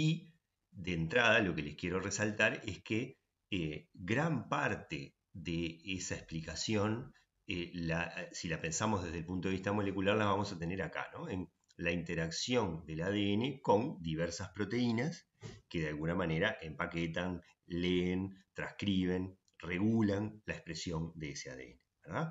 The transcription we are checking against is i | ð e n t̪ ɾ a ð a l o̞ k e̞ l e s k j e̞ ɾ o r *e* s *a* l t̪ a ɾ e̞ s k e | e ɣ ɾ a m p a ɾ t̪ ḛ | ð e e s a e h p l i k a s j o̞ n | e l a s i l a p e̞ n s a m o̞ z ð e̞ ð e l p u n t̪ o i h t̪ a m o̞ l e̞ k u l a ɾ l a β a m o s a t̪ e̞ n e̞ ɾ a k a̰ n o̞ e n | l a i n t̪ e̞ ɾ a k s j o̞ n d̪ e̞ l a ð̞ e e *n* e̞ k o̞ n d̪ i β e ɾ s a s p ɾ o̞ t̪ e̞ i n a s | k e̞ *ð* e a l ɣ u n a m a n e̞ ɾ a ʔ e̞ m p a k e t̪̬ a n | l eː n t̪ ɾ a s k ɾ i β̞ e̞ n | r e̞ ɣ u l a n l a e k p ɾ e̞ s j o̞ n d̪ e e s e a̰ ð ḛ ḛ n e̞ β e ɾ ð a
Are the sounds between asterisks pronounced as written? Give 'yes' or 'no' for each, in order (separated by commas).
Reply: yes, yes, yes, yes